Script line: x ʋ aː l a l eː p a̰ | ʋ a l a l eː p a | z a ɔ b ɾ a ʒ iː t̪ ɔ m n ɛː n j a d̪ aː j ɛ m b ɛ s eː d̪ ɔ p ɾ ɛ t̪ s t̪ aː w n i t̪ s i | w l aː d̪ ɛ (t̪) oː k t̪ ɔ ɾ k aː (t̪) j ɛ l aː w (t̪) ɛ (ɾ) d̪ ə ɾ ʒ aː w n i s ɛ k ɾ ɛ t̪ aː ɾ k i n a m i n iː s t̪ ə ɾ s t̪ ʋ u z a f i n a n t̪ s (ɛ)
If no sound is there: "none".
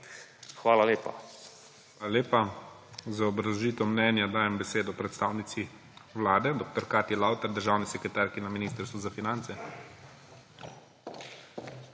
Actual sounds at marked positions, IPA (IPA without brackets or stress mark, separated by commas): d̪, t̪, t̪, ɾ, ɛ